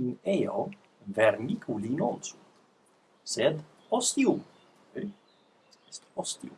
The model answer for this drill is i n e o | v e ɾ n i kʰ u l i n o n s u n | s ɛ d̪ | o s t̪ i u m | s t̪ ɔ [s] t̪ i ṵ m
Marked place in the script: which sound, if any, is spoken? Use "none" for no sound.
s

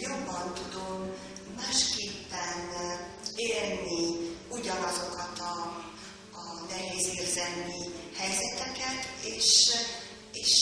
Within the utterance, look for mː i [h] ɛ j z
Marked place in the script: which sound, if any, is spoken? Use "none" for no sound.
h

